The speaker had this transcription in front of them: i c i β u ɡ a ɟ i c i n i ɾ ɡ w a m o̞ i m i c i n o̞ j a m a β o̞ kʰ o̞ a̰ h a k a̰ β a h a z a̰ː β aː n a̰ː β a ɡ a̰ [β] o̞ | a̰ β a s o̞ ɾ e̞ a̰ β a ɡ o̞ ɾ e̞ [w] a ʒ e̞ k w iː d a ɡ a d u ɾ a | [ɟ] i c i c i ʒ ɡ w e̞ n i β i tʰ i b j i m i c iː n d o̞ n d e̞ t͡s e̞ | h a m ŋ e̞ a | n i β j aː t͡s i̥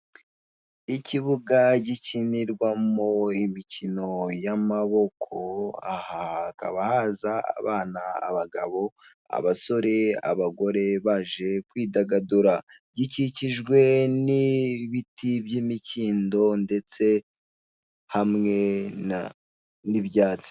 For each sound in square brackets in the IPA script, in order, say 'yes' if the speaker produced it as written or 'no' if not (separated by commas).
yes, no, yes